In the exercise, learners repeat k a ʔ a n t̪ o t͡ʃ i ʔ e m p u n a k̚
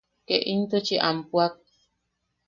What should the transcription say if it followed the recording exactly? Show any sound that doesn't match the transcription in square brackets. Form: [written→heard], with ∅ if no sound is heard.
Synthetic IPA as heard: k [a→e] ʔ [a→i] n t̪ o t͡ʃ i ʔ [e→a] m p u [n→∅] a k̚